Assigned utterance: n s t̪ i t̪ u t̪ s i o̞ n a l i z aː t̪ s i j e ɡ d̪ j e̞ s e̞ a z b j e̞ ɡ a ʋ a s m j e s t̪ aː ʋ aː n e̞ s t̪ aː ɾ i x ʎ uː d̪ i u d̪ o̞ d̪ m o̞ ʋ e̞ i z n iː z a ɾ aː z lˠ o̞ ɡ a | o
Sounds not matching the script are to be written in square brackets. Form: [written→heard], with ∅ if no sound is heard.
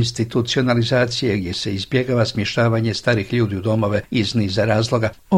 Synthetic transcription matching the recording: n s t̪ i t̪ u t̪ s i o̞ n a l i z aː t̪ s i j e ɡ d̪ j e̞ s e̞ [a→i] z b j e̞ ɡ a ʋ a s m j e [s→ʃ] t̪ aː ʋ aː [n→ɲ] e̞ s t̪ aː ɾ i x ʎ uː d̪ i u d̪ o̞ [d̪→∅] m o̞ ʋ e̞ i z n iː z a ɾ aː z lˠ o̞ ɡ a | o